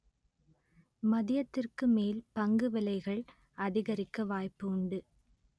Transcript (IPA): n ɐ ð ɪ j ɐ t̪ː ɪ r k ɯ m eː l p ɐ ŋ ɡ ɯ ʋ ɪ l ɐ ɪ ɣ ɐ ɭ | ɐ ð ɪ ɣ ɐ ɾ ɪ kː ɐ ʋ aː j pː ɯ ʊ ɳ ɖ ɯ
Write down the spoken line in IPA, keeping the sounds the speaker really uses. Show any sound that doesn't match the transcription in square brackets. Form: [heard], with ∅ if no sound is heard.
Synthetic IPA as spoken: [m] ɐ ð ɪ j ɐ t̪ː ɪ r k ɯ m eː l p ɐ ŋ ɡ ɯ ʋ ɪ l ɐ ɪ ɣ ɐ ɭ | ɐ ð ɪ ɣ ɐ ɾ ɪ kː ɐ ʋ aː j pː ɯ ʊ ɳ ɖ ɯ